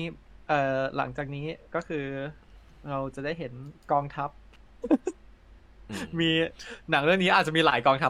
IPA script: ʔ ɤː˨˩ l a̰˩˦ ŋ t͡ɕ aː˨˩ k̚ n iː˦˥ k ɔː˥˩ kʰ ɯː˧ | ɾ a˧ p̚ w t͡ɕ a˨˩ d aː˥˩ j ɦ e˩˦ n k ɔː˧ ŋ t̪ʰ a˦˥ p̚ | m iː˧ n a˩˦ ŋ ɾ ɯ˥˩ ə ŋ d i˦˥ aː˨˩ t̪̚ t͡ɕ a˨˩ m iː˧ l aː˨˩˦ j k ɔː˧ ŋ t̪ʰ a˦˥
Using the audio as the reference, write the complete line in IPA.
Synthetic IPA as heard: ʔ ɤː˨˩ l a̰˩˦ ŋ t͡ɕ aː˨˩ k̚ n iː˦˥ k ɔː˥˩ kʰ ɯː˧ | ɾ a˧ w t͡ɕ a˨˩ d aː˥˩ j ɦ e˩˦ n k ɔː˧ ŋ t̪ʰ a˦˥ p̚ | m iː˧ n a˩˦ ŋ ɾ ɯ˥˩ ə ŋ n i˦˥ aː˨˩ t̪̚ t͡ɕ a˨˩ m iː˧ l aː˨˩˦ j k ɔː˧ ŋ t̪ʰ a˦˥